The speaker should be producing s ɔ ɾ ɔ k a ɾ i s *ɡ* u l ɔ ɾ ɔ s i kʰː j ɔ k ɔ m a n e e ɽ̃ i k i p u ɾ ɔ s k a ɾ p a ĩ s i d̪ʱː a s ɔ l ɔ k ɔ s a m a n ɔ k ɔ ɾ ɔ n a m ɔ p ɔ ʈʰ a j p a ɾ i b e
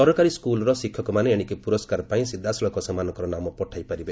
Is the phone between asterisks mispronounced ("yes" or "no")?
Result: yes